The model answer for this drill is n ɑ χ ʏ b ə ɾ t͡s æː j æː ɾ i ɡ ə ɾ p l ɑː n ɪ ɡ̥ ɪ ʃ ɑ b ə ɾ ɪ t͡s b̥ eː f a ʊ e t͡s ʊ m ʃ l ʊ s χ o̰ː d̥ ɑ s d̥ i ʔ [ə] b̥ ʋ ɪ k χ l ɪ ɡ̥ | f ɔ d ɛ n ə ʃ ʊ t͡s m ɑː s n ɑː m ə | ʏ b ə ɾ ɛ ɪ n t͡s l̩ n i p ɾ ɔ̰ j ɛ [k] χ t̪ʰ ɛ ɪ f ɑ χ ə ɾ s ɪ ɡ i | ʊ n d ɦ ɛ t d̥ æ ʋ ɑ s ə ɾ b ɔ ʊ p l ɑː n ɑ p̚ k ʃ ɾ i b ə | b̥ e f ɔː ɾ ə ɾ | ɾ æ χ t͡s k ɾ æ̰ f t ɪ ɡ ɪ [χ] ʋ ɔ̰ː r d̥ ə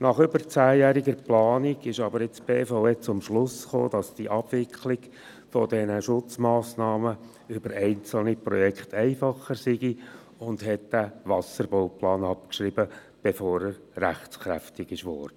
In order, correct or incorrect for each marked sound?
incorrect, correct, incorrect

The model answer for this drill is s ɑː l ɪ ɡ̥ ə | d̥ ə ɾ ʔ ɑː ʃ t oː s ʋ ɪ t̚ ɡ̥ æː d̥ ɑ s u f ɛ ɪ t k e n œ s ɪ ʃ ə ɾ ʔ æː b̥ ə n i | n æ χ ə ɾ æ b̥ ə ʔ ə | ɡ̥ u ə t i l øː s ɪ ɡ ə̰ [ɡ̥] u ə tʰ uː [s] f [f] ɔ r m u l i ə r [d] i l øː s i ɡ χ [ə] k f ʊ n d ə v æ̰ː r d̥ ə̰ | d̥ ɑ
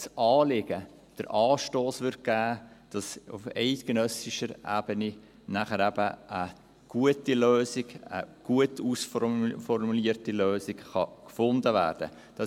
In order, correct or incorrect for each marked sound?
correct, correct, correct, incorrect, incorrect

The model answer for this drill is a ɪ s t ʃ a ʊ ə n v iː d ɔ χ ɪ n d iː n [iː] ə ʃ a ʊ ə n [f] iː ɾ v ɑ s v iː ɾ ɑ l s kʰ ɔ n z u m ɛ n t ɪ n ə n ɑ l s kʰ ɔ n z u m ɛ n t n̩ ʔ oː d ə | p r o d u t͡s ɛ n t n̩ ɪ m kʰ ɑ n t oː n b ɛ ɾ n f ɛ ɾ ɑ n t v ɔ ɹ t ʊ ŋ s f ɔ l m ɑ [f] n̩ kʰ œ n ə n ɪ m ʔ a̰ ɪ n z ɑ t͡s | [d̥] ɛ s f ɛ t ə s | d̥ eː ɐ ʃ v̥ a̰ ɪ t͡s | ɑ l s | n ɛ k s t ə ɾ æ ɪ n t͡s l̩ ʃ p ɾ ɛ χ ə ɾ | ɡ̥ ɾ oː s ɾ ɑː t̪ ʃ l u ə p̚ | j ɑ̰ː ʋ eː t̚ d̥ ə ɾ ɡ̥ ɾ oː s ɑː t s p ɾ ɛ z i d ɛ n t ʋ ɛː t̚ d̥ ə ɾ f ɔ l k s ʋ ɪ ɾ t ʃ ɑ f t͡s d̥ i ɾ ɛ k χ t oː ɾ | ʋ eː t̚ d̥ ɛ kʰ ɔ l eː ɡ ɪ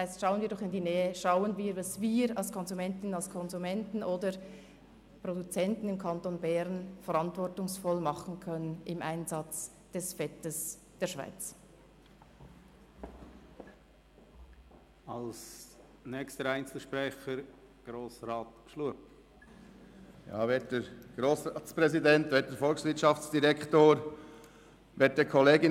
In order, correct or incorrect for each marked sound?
incorrect, incorrect, incorrect, correct

